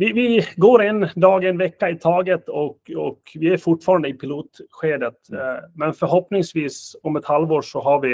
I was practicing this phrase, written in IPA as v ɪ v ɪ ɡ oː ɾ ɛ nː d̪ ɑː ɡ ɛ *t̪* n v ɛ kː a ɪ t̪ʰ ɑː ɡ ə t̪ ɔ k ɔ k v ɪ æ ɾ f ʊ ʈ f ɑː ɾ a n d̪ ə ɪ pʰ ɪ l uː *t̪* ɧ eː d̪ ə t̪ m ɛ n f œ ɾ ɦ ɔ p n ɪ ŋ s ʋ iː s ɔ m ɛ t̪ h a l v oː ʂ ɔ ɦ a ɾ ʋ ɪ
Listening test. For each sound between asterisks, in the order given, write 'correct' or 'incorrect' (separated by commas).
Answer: incorrect, correct